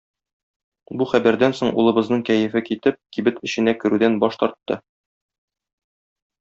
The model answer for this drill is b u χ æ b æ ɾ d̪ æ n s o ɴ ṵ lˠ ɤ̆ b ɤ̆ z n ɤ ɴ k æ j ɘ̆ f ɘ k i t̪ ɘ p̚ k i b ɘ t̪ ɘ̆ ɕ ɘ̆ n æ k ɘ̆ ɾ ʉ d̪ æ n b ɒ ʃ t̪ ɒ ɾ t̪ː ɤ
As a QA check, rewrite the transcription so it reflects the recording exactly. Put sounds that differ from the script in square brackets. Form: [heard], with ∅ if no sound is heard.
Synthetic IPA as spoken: b u χ æ b æ ɾ d̪ æ n s o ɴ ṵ lˠ ɤ̆ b ɤ̆ z n ɤ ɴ k æ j ɘ̆ f ɘ k i t̪ ɘ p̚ k i b ɘ t̪ ɘ̆ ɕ ɘ̆ n æ k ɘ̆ ɾ ʉ d̪ æ n b ɒ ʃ t̪ ɒ ɾ t̪ː ɤ